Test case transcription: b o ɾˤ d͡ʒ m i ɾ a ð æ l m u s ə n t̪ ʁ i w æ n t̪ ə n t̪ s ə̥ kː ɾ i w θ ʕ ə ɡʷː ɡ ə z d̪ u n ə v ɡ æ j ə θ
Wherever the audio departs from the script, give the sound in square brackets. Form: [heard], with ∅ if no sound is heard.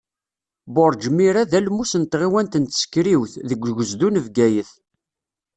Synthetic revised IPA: b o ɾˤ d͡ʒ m i ɾ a ð æ l m u s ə n t̪ ʁ i w æ n t̪ ə n t̪ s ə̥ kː ɾ i w θ [ð] ə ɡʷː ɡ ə z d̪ u n ə v ɡ æ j ə θ